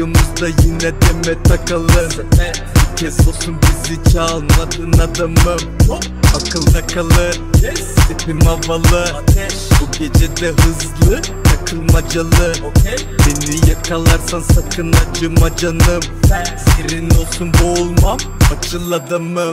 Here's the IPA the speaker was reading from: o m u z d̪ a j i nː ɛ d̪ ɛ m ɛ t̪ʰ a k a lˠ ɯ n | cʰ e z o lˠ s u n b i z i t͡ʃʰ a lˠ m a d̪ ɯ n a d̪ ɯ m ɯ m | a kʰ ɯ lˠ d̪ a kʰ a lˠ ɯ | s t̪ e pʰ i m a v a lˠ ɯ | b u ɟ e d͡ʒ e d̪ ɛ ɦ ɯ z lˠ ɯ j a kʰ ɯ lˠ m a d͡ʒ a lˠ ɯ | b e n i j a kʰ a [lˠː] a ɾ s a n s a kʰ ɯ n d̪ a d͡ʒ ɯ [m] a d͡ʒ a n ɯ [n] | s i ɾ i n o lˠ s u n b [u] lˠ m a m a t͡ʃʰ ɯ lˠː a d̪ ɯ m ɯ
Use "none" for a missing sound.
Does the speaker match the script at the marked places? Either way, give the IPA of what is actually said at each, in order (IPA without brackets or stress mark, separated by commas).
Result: lˠ, m, m, o